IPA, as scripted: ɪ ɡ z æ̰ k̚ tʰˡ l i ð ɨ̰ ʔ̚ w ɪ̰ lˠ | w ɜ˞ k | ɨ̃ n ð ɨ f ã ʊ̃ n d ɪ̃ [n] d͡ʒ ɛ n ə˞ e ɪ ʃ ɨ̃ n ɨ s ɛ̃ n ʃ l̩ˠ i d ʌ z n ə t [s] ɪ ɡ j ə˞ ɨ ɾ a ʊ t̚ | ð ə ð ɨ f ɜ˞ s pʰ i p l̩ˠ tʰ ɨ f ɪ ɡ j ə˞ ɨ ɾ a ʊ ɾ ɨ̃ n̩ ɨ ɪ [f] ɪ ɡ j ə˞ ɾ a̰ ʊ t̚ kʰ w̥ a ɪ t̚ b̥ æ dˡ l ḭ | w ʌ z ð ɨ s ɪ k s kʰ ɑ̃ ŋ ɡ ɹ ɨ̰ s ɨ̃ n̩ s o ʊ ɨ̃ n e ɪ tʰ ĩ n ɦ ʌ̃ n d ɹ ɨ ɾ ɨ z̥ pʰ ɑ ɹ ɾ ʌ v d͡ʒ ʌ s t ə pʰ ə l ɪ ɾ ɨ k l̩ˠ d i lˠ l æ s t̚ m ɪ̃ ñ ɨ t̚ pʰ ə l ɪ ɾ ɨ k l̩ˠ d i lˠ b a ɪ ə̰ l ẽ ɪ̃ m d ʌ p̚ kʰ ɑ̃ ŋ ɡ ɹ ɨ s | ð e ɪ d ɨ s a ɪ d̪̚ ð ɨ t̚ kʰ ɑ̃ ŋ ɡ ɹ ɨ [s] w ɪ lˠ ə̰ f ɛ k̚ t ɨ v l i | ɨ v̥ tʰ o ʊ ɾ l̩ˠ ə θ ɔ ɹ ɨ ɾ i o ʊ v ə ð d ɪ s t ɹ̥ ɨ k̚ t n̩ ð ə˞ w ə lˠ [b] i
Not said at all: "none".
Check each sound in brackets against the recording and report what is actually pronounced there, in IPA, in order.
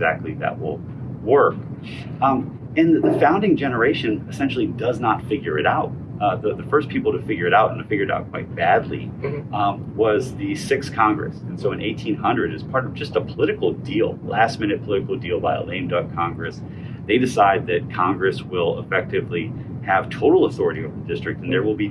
ŋ, f, f, s, b

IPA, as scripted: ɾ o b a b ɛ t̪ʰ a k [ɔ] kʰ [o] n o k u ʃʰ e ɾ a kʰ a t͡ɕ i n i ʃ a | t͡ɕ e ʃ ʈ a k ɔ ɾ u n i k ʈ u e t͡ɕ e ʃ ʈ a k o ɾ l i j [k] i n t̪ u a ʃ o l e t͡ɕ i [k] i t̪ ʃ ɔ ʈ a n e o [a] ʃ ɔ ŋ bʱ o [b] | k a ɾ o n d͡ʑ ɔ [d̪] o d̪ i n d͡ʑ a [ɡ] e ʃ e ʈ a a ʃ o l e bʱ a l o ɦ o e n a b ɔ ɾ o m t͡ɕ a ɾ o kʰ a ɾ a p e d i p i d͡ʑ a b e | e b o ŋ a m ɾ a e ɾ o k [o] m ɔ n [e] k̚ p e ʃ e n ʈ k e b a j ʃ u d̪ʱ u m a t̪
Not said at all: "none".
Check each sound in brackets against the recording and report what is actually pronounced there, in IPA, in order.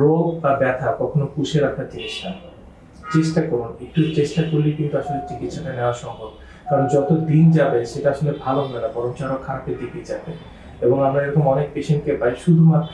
ɔ, o, k, k, a, b, t̪, b, o, e

